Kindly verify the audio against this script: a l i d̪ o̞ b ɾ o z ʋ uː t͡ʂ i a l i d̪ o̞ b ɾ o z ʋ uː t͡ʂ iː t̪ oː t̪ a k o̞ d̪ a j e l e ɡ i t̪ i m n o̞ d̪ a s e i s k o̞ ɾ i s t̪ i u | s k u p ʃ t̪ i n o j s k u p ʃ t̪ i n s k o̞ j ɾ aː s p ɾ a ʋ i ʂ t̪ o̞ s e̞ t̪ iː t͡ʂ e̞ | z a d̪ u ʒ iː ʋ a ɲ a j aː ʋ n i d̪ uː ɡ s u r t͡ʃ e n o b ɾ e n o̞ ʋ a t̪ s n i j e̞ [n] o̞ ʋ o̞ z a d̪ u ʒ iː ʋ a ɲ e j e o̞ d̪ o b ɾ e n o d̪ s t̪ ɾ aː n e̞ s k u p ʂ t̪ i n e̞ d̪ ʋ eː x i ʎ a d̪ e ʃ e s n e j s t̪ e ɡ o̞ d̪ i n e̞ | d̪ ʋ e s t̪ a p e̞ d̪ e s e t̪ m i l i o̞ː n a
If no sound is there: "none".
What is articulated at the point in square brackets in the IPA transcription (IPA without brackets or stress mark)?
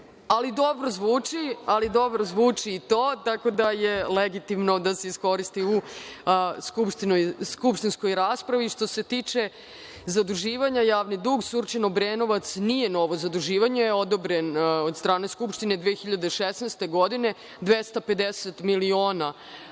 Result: n